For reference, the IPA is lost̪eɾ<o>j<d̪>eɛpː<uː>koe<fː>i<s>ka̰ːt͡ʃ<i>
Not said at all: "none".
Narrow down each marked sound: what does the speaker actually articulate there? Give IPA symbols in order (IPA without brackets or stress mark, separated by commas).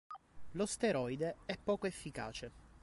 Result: ɔ, d̪, ɔː, fː, none, e